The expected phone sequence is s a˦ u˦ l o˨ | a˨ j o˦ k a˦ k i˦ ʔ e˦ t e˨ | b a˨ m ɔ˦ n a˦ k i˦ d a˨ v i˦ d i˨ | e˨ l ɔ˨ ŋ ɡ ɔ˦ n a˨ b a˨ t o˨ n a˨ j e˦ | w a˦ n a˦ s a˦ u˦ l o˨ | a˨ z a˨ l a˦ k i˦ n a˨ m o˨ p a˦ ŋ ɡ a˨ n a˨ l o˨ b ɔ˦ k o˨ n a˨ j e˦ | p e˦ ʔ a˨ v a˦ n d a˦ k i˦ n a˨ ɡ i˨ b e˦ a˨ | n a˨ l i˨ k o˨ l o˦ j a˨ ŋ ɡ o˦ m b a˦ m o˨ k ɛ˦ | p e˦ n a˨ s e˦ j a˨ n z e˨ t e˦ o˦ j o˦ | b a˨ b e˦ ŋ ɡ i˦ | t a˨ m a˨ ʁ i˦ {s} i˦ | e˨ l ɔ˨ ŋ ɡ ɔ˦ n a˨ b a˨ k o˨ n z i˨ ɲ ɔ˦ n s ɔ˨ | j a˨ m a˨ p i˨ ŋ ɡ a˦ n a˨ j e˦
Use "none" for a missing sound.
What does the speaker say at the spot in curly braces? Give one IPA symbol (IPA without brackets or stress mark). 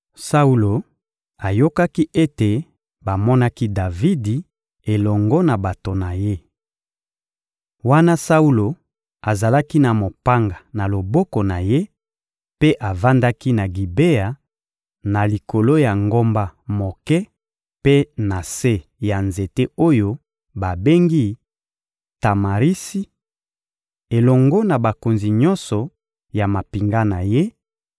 s